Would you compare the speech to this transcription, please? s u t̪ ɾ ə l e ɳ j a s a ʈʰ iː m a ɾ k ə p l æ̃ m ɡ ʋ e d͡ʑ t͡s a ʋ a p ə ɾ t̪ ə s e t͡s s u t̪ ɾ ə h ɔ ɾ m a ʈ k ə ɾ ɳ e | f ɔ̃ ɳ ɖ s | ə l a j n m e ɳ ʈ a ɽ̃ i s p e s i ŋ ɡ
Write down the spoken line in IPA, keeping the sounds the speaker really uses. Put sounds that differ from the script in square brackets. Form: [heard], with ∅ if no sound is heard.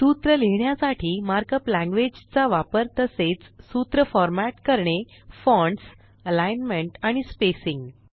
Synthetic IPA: s u t̪ ɾ ə l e ɳ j a s a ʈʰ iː m a ɾ k ə p l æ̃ [ŋ] ɡ ʋ e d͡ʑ t͡s a ʋ a p ə ɾ t̪ ə s e t͡s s u t̪ ɾ ə [f] ɔ ɾ m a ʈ k ə ɾ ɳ e | f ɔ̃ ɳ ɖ s | ə l a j n m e ɳ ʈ a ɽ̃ i s p e s i ŋ ɡ